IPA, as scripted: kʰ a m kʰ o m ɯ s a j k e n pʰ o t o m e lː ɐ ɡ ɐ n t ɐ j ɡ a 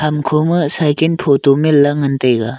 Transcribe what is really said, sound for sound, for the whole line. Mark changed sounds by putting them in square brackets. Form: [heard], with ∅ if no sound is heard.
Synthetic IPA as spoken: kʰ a m kʰ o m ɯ s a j k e n pʰ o t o m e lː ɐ [ŋ] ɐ n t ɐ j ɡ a